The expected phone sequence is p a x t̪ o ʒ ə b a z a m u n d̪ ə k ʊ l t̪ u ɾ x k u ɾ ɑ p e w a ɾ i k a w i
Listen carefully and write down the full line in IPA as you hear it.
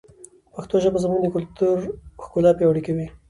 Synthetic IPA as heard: p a x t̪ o ʒ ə b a z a m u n d̪ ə k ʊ l t̪ u ɾ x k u l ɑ p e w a ɽ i k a w i